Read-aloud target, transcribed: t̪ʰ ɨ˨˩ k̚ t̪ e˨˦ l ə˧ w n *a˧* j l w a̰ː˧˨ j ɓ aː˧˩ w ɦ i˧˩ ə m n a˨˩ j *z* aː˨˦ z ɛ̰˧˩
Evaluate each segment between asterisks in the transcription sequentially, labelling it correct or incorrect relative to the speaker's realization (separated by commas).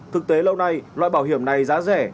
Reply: correct, correct